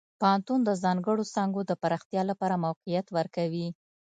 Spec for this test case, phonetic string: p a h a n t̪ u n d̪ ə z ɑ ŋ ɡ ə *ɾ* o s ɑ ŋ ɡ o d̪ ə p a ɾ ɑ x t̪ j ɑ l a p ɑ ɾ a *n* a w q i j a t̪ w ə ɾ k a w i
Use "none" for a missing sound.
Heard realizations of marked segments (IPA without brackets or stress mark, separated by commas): ɽ, m